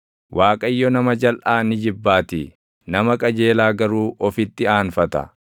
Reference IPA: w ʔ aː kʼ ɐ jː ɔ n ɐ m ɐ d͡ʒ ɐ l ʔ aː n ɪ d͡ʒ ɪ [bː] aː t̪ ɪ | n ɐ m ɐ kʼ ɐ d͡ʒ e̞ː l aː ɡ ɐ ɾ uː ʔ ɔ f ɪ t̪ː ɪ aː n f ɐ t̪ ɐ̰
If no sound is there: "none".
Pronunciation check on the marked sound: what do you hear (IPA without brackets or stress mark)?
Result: bː